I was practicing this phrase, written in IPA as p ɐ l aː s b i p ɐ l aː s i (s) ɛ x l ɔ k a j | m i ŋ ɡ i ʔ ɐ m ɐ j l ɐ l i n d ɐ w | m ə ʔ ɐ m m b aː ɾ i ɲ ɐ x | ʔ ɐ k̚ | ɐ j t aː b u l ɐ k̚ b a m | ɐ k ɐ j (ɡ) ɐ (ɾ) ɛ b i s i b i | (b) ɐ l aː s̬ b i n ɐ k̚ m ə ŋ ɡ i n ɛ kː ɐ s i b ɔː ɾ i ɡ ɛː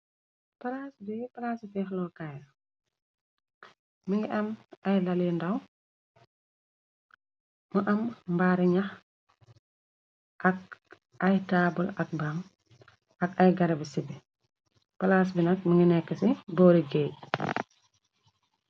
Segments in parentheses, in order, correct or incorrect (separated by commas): incorrect, correct, correct, incorrect